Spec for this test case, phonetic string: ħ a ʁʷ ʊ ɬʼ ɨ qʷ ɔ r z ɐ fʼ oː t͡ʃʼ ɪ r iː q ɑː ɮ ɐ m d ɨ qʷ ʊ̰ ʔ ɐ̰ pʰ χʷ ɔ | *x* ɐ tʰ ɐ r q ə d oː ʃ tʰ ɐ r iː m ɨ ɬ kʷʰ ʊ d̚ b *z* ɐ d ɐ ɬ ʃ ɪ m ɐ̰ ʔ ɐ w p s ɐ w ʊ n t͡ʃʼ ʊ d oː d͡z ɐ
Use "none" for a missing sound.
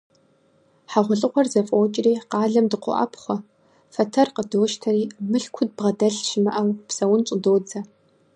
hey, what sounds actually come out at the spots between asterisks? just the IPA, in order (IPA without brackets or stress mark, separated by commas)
f, ʁ